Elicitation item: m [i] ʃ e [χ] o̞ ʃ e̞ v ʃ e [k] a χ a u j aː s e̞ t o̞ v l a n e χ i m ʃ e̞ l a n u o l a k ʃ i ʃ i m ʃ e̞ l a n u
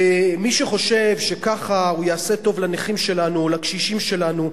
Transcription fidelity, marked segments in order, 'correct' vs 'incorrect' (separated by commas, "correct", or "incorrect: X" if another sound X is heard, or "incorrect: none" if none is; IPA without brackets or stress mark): correct, correct, correct